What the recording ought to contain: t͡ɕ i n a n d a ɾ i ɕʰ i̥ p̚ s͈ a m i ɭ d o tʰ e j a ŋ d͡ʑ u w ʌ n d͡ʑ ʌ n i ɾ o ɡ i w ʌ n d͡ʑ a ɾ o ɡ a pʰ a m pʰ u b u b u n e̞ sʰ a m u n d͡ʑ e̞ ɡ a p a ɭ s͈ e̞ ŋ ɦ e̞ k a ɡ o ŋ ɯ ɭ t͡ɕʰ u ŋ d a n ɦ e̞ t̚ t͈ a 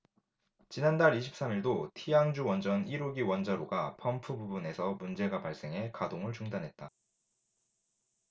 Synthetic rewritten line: t͡ɕ i n a n d a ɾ i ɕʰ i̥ p̚ s͈ a m i ɭ d o tʰ i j a ŋ d͡ʑ u w ʌ n d͡ʑ ʌ n i ɾ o ɡ i w ʌ n d͡ʑ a ɾ o ɡ a pʰ ʌ m pʰ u b u b u n e̞ sʰ ʌ m u n d͡ʑ e̞ ɡ a p a ɭ s͈ e̞ ŋ ɦ e̞ k a d o ŋ ɯ ɭ t͡ɕ u ŋ d a n ɦ e̞ t̚ t͈ a